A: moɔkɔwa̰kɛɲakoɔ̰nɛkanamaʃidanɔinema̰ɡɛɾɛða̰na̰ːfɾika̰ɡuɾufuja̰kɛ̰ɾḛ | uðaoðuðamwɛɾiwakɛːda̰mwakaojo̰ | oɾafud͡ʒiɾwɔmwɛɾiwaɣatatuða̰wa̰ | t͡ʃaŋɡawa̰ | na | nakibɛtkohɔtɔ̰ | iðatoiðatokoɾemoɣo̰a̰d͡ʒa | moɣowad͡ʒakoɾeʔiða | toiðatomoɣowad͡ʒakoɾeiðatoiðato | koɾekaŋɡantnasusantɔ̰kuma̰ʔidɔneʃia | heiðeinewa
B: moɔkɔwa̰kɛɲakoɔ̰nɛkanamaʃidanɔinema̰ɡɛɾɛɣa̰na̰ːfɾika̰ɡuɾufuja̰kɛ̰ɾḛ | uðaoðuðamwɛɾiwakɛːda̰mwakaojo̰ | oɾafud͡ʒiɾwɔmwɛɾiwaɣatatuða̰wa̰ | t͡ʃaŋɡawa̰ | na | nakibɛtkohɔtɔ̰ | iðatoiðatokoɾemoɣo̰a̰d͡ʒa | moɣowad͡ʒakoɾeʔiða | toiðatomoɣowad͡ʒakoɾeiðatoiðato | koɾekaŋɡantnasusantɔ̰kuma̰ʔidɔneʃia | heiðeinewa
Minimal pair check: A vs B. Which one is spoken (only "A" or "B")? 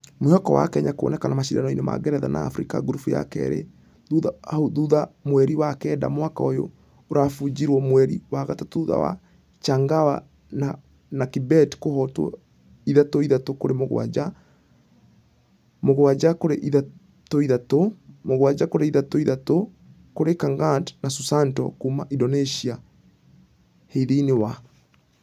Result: A